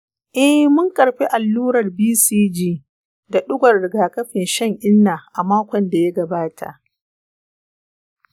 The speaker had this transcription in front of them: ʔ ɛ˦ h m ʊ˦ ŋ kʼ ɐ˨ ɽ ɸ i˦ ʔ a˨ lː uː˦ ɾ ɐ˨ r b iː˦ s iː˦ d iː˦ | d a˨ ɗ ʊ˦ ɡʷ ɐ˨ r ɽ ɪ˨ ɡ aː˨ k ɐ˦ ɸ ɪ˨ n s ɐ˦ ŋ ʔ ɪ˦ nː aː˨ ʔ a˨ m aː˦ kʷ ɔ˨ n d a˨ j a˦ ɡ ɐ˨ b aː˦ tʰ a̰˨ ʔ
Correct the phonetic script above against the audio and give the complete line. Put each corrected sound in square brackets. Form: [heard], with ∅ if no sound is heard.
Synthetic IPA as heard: ʔ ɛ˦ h m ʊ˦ ŋ kʼ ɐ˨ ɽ ɸ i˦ ʔ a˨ lː uː˦ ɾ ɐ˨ r b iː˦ s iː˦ [d͡ʒ] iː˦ | d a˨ ɗ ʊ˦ ɡʷ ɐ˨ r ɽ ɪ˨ ɡ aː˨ k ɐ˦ ɸ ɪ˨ n [ʃ] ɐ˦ ŋ ʔ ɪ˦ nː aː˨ ʔ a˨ m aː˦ kʷ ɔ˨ n d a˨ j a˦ ɡ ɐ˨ b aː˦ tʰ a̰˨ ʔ